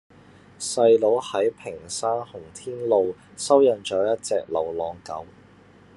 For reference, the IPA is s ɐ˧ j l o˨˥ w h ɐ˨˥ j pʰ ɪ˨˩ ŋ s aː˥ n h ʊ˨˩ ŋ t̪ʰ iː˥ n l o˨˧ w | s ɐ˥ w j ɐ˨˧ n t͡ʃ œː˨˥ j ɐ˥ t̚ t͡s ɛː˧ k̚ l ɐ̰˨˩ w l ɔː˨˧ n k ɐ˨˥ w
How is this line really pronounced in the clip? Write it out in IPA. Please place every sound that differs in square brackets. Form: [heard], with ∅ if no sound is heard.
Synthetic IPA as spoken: s ɐ˧ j l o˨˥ w h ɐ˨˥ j pʰ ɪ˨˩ ŋ s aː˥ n h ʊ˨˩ ŋ t̪ʰ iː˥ n l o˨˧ w | s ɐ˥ w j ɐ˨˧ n t͡ʃ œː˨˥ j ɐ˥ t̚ t͡s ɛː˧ k̚ l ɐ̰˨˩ w l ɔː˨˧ [ŋ] k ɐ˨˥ w